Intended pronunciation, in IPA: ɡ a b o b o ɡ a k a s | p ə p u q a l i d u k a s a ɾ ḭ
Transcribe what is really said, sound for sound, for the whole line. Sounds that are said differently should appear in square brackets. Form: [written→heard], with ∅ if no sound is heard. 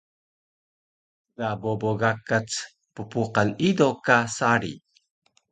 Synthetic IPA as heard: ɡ a b o b o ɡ a k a [s→t͡s] | p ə p u q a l i d [u→o] k a s a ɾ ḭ